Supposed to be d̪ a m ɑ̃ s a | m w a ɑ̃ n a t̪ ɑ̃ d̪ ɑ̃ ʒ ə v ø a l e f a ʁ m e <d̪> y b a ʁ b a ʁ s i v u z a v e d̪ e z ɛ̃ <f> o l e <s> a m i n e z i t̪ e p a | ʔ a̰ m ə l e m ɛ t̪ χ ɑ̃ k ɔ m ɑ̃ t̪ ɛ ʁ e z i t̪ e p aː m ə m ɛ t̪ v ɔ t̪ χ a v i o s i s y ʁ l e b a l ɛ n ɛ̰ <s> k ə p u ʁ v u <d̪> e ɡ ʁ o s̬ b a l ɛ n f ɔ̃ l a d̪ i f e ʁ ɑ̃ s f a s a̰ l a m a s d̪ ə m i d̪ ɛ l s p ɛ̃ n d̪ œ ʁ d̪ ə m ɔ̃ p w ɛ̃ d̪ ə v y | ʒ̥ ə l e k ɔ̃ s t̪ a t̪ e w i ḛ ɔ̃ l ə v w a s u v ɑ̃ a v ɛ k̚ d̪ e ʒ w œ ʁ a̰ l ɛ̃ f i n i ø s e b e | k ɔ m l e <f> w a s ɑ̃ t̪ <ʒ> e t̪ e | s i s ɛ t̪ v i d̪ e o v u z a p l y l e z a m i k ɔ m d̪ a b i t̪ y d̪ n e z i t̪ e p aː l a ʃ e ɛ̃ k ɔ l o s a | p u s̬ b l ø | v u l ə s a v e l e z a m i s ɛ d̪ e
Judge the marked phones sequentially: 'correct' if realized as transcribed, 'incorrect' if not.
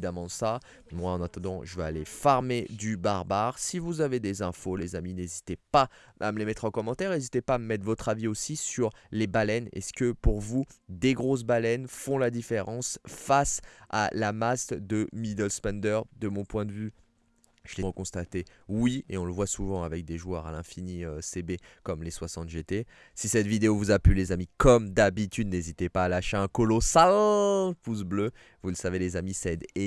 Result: correct, correct, incorrect, correct, correct, incorrect, correct

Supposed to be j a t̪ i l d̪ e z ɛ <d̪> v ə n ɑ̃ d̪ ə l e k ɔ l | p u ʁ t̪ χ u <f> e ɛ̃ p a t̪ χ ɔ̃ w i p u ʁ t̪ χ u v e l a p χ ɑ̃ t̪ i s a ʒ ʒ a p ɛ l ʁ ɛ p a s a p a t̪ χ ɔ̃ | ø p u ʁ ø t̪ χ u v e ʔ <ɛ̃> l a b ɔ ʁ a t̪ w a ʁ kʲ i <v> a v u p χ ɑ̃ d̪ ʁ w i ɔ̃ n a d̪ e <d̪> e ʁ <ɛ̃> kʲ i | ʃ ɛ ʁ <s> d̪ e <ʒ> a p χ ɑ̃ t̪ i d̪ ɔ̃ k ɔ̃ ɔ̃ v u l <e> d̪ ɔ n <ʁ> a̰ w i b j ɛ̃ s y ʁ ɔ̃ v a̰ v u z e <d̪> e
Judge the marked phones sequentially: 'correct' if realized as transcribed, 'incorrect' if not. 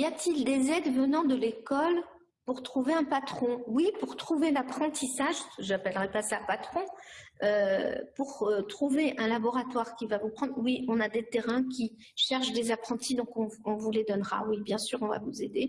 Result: correct, incorrect, correct, correct, incorrect, correct, incorrect, incorrect, correct, correct, correct

